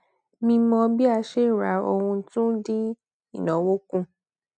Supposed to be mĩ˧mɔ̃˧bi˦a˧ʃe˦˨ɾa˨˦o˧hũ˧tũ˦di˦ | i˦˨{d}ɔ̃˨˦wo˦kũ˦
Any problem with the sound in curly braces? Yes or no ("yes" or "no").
yes